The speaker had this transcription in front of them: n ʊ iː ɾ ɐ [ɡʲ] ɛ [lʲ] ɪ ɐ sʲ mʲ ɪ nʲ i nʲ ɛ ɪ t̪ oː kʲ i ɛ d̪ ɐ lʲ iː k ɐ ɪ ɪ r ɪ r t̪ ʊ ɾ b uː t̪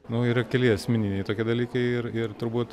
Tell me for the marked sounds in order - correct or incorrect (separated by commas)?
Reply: incorrect, correct